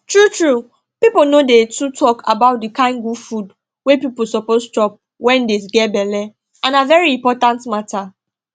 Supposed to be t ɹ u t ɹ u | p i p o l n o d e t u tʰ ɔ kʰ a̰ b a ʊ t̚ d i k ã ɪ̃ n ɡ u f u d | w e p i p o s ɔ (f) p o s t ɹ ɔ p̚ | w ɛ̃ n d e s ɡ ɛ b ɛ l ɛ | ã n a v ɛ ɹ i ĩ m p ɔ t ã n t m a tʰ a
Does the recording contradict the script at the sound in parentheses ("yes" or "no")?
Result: yes